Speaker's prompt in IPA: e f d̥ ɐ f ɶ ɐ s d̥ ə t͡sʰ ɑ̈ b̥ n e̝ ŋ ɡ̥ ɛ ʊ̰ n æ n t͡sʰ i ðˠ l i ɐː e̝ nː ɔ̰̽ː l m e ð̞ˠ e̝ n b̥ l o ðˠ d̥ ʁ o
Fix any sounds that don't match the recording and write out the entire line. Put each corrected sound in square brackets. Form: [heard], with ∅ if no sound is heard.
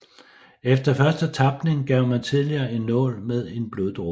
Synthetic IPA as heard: e f d̥ ɐ f ɶ ɐ s d̥ ə t͡sʰ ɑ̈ b̥ n e̝ ŋ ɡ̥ ɛ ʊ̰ [m] æ n t͡sʰ i ðˠ l i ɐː e̝ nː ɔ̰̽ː l m e ð̞ˠ e̝ n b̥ l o ðˠ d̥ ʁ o